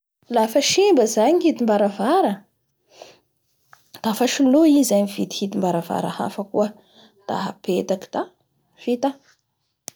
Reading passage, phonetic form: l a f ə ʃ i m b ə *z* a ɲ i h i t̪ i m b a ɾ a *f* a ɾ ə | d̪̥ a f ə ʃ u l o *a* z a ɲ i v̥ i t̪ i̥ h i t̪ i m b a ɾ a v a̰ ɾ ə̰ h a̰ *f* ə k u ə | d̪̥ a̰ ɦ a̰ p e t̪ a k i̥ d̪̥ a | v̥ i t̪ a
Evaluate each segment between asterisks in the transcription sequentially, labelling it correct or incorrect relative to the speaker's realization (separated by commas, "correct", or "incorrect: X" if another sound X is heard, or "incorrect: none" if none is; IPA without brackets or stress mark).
correct, incorrect: v, incorrect: i, correct